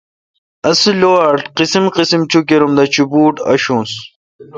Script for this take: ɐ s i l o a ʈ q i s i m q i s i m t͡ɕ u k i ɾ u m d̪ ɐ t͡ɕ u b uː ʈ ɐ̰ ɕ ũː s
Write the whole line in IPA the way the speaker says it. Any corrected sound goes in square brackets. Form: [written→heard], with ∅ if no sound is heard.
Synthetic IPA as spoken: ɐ s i l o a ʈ q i s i m q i s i m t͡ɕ u k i ɾ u m d̪ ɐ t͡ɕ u b uː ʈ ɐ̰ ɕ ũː s

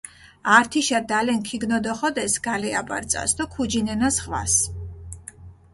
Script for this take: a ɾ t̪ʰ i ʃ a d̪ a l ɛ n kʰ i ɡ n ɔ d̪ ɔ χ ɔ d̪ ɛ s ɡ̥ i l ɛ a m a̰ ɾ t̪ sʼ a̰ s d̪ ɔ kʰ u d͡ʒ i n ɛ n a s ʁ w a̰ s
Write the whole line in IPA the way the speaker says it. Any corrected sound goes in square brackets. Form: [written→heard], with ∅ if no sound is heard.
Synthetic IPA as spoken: a ɾ t̪ʰ i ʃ a d̪ a l ɛ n kʰ i ɡ n ɔ d̪ ɔ χ ɔ d̪ ɛ s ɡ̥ [i→a] l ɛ a [m→b] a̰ ɾ t̪ sʼ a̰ s d̪ ɔ kʰ u d͡ʒ i n ɛ n a s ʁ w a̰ s

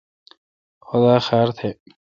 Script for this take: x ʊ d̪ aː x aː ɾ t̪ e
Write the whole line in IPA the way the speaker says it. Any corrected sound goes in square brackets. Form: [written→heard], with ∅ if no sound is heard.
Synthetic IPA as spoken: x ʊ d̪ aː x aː ɾ [t̪→t̪ʰ] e

